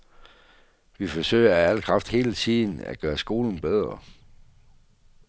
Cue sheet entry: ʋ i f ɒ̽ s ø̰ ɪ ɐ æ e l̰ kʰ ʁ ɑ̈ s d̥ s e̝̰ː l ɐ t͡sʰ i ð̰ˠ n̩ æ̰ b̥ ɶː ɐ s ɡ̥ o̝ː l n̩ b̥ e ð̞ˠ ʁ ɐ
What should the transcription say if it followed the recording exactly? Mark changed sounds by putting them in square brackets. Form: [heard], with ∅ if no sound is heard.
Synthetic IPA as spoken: ʋ i f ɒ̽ s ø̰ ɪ ɐ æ [æ] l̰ kʰ ʁ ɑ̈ [f] d̥ [h] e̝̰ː l [ə] t͡sʰ i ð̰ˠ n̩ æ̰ [ɡ̥] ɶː ɐ s ɡ̥ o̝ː l n̩ b̥ e ð̞ˠ ʁ ɐ